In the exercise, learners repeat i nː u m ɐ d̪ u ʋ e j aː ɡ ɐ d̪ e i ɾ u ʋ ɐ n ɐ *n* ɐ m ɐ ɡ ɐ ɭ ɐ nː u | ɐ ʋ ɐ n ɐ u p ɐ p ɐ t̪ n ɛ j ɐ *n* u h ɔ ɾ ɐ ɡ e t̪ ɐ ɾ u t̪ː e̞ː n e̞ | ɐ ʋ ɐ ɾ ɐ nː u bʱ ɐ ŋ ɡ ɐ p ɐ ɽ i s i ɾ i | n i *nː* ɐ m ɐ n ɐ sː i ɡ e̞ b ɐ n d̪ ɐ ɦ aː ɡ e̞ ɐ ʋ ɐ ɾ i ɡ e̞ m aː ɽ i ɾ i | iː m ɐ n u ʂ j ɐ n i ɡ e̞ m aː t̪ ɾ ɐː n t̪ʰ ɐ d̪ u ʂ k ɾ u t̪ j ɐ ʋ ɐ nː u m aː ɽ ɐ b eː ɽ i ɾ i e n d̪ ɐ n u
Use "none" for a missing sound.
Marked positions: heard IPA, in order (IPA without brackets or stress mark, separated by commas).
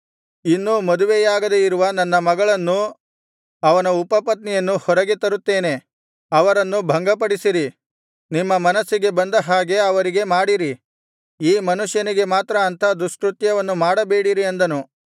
nː, nː, mː